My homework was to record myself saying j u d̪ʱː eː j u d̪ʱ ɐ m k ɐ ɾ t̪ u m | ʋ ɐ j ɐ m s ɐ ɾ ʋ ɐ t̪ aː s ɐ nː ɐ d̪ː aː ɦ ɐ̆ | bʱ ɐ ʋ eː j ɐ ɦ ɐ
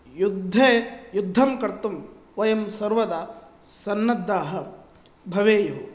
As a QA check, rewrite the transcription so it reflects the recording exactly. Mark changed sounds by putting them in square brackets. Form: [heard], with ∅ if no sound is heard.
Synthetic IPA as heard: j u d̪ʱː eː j u [d̪ʱː] ɐ m k ɐ ɾ t̪ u m | ʋ ɐ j ɐ m s ɐ ɾ ʋ ɐ [d̪] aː s ɐ nː ɐ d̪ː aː ɦ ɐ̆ | bʱ ɐ ʋ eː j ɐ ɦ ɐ